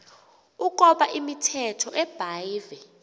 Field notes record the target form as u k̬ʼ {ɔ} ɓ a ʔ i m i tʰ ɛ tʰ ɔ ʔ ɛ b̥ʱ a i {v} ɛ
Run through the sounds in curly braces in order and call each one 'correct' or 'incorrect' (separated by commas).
correct, correct